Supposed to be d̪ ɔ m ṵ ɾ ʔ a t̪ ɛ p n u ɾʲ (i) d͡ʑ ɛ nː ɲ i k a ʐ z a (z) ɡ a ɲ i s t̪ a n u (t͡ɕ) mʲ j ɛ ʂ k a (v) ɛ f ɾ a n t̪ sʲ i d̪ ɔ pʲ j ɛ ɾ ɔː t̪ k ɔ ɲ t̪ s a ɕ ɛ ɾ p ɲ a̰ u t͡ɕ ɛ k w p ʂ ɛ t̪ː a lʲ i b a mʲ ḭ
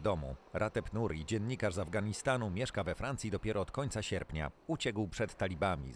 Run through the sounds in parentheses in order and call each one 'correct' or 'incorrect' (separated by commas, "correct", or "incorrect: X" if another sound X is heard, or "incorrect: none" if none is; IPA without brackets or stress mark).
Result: correct, incorrect: v, incorrect: none, correct